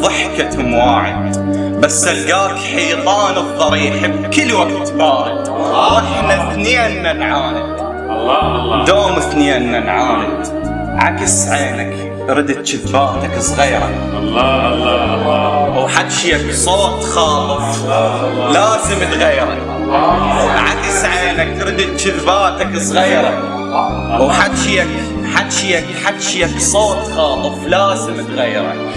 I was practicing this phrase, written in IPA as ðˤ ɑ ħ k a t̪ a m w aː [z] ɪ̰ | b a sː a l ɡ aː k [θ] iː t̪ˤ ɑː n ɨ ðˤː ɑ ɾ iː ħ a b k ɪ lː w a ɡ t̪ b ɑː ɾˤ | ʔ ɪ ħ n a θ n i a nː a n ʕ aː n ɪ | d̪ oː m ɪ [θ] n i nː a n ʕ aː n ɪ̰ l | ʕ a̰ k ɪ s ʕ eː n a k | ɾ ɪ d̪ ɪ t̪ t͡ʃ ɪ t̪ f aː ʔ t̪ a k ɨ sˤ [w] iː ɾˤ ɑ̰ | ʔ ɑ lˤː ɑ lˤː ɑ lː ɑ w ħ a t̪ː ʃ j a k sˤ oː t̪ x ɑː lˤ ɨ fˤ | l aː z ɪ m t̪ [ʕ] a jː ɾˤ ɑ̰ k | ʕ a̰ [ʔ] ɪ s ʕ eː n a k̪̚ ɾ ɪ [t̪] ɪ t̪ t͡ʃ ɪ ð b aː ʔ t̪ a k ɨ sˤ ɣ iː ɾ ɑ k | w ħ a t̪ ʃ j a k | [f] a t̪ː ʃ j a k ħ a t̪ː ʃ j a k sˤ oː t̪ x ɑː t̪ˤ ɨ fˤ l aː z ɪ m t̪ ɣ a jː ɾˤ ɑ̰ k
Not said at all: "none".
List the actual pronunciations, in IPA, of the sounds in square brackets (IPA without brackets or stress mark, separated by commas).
ʕ, ħ, θ, ɣ, ɣ, k, d̪, ħ